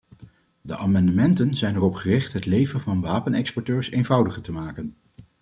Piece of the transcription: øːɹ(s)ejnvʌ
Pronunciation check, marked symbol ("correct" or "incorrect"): correct